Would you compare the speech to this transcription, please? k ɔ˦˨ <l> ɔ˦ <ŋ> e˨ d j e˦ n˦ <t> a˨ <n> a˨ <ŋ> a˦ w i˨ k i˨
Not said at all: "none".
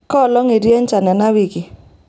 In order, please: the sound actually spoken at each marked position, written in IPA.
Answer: l, ŋ, t͡ʃ, n, n

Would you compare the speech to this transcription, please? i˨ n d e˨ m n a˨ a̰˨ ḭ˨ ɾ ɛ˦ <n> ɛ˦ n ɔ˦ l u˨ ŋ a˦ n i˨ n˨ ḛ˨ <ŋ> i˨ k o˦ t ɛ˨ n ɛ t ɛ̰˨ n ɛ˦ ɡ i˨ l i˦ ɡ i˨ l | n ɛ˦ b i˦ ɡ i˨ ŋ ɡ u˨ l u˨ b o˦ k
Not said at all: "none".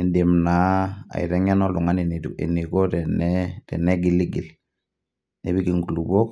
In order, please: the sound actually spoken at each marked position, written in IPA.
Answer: ŋ, n

